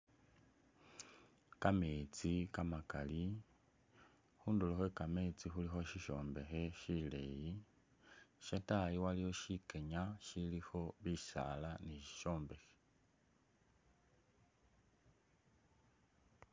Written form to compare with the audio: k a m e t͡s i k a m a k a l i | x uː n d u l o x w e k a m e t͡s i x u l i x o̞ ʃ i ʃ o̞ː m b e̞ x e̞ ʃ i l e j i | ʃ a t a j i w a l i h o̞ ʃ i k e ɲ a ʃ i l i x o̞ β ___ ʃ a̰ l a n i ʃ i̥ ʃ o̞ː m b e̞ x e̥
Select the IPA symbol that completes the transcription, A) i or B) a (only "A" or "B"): A